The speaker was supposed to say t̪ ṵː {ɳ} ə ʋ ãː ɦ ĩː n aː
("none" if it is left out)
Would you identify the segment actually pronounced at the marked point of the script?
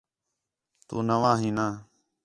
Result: n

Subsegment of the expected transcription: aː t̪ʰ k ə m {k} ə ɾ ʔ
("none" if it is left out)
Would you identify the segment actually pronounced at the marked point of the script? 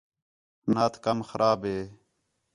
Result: x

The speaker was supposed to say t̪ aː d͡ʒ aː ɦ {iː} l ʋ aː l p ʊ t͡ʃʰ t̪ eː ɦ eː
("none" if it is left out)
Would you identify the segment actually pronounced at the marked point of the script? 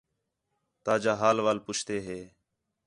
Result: aː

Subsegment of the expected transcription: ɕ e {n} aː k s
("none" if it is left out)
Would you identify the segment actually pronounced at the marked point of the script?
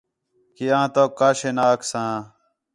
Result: n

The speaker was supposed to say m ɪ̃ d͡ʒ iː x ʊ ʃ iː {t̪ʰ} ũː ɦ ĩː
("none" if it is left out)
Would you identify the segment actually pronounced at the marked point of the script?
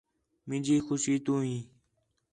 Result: t̪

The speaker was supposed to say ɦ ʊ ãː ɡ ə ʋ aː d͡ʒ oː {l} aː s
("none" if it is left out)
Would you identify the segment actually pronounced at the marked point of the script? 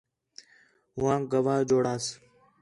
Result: ɽ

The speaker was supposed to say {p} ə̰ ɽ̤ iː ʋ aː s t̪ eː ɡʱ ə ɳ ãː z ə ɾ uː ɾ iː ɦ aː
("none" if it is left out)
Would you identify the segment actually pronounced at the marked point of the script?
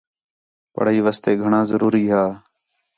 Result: p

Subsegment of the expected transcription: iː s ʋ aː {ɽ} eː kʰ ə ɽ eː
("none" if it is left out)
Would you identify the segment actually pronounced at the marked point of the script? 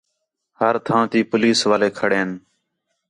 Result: l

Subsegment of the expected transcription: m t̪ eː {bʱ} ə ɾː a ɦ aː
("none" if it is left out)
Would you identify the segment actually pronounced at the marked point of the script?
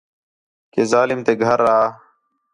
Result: ɡʱ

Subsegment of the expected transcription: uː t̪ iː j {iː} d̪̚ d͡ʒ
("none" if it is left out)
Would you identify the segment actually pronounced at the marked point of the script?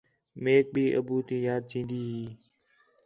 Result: aː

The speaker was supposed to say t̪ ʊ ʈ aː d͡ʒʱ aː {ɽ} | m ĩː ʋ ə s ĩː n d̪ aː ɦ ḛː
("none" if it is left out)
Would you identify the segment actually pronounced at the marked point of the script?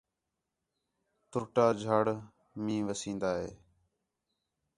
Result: ɽ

